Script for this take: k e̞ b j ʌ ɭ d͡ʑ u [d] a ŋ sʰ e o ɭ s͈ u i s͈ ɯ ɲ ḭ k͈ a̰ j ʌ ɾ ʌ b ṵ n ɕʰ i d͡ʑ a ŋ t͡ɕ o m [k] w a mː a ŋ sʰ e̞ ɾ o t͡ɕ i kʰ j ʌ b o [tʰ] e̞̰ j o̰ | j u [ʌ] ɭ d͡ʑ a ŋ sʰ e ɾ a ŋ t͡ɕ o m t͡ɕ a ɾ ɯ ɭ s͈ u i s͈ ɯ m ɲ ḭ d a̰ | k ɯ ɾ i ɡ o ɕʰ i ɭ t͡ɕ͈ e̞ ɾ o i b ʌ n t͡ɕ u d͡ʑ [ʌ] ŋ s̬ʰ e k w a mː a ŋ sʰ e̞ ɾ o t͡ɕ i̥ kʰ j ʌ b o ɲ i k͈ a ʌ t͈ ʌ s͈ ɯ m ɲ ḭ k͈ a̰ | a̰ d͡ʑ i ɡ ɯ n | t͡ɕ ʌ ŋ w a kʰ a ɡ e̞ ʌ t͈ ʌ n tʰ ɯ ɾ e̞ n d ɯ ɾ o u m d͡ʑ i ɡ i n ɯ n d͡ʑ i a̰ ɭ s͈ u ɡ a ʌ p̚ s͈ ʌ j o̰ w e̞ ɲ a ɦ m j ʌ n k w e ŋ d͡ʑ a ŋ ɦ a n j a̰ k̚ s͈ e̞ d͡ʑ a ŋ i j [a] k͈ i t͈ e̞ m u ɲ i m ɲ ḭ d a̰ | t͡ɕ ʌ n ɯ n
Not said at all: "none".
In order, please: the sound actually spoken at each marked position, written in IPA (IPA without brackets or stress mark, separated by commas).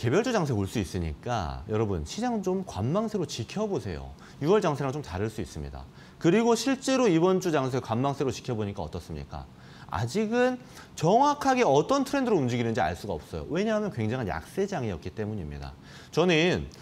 d͡ʑ, k, sʰ, ʌ, a, ʌ